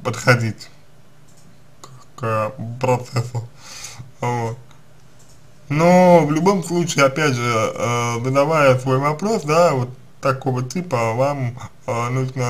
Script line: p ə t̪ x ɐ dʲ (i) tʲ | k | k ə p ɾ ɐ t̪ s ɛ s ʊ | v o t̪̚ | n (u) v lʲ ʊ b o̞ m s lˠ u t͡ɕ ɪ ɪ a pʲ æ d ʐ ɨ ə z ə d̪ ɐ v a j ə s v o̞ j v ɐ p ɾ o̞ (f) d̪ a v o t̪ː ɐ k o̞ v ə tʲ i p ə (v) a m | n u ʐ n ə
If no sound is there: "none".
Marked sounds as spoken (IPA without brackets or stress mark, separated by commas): i, o, s, v